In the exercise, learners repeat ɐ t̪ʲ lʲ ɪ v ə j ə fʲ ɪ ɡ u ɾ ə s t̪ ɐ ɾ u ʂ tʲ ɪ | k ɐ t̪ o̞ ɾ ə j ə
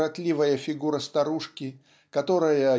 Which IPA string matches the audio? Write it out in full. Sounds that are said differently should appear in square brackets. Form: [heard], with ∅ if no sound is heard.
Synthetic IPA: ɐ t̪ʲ lʲ [i] v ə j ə fʲ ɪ ɡ u ɾ ə s t̪ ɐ ɾ u ʂ [kʲ] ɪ | k ɐ t̪ o̞ ɾ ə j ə